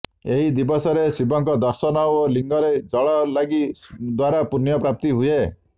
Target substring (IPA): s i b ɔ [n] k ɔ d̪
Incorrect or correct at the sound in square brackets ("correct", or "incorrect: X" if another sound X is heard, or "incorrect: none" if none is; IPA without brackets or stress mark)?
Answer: incorrect: ŋ